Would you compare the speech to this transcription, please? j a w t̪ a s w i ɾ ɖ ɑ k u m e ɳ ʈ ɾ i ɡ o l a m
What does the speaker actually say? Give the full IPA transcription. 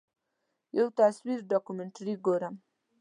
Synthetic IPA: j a w t̪ a s w i ɾ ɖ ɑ k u m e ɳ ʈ ɾ i ɡ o ɾ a m